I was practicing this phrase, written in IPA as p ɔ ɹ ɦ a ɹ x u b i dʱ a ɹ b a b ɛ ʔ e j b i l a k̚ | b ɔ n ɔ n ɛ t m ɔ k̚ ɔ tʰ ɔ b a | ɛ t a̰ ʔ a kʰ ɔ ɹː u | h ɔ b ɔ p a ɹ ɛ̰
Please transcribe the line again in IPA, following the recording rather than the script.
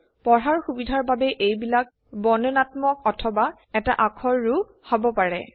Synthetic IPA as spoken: p ɔ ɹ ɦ a ɹ x u b i dʱ a ɹ b a b ɛ ʔ e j b i l a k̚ | b ɔ n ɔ n a t m ɔ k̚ ɔ tʰ ɔ b a | ɛ t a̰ ʔ a kʰ ɔ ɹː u | h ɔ b ɔ p a ɹ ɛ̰